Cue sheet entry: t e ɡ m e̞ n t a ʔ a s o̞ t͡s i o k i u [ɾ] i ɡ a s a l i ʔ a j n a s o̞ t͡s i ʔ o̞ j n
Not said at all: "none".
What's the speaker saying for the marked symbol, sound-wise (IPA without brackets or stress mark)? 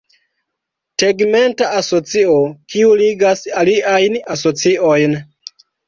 l